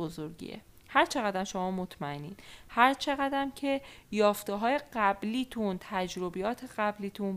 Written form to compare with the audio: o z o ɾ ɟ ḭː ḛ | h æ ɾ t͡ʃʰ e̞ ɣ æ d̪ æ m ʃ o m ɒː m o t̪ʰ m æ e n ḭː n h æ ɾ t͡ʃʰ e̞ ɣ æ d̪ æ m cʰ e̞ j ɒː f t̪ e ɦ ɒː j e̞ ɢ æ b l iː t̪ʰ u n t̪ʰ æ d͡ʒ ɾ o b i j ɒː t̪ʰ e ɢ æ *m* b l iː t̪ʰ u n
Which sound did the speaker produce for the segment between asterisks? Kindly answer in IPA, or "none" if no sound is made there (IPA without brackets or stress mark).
none